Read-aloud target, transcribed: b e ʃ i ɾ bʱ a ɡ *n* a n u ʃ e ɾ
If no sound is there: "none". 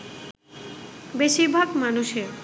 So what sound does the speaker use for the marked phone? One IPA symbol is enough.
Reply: m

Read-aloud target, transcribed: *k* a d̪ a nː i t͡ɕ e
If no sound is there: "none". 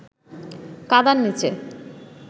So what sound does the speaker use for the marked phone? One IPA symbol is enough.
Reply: k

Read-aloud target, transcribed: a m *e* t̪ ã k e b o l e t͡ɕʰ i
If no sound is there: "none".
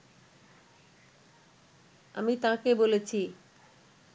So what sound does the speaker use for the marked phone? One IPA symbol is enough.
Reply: i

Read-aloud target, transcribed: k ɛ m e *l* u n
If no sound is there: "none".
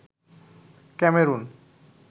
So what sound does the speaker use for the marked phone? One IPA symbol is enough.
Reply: ɾ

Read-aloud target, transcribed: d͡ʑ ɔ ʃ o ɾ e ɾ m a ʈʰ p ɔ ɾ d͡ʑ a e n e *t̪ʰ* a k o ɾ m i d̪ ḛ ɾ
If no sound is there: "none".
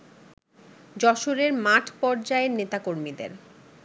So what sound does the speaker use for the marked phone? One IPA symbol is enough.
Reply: t̪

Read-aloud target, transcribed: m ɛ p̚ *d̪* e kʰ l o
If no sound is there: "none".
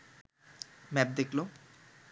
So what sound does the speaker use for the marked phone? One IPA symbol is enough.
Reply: d̪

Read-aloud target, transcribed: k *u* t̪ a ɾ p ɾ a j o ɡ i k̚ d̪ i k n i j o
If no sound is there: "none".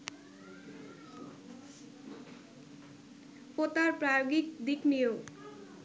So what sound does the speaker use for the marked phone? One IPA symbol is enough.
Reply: o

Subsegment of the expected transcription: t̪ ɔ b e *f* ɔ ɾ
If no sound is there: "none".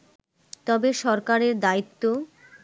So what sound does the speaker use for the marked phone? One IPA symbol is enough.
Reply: ʃ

